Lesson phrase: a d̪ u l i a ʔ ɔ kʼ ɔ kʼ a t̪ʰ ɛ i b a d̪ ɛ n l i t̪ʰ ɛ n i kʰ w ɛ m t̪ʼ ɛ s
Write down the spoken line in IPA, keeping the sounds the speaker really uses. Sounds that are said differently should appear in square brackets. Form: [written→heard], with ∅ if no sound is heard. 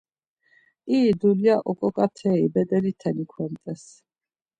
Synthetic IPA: [a→i] d̪ u l i a ʔ ɔ kʼ ɔ kʼ a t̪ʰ ɛ i b [a→ɛ] d̪ ɛ [n→∅] l i t̪ʰ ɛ n i kʰ w ɛ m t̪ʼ ɛ s